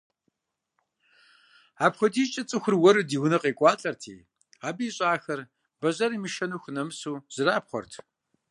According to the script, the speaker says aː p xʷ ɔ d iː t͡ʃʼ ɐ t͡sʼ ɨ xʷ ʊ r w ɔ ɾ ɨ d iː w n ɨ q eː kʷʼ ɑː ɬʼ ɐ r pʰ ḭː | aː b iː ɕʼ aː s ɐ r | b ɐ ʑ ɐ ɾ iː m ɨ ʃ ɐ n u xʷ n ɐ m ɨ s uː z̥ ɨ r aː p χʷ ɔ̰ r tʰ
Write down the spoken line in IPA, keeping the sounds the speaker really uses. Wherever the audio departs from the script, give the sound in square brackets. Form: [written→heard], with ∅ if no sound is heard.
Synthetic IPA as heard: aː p [xʷ→χʷ] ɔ d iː t͡ʃʼ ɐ t͡sʼ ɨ xʷ ʊ r w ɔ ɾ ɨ d iː w n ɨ q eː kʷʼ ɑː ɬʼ ɐ r [pʰ→tʰ] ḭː | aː b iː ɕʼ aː [s→x] ɐ r | b ɐ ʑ ɐ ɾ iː m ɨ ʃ ɐ n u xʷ n ɐ m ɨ s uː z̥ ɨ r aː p χʷ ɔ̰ r tʰ